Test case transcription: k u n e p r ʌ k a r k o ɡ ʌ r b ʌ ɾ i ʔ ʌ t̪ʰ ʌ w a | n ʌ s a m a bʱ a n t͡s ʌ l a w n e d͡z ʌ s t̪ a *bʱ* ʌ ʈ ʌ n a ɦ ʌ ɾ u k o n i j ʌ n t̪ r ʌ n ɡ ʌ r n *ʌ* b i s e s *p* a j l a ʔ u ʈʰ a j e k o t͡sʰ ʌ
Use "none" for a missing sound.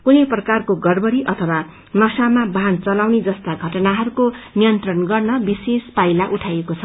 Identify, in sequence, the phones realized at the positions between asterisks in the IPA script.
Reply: ɡʱ, ʌ, p

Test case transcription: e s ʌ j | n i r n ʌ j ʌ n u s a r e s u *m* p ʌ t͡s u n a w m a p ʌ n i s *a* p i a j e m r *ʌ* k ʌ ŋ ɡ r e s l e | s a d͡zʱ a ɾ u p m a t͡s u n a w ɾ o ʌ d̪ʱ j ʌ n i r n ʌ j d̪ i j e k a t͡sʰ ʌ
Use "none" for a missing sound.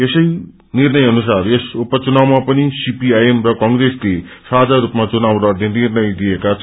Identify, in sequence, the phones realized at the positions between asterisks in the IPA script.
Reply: none, i, ʌ

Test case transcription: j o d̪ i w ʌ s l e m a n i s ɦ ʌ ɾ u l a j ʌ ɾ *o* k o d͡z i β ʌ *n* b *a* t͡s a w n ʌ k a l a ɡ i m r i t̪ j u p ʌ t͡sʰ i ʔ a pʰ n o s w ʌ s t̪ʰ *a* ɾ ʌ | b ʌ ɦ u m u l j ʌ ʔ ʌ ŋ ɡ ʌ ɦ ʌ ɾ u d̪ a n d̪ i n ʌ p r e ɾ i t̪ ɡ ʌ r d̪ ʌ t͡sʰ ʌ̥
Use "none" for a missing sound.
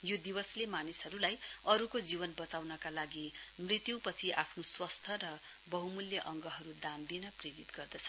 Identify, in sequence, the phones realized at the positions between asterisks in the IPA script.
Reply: u, n, ʌ, ʌ

